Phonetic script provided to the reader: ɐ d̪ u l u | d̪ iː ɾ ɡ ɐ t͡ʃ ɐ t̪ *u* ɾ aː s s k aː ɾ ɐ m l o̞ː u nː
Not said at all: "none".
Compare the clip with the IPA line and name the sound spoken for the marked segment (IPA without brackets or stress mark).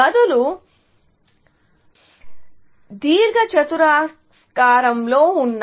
u